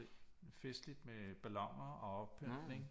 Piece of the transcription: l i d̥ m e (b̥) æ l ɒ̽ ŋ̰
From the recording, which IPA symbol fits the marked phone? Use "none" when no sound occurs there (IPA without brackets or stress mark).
b̥